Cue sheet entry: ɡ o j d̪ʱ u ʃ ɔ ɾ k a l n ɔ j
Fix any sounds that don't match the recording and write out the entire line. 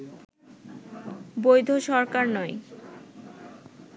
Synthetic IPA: b o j d̪ʱ o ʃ ɔ ɾ k a ɾ n ɔ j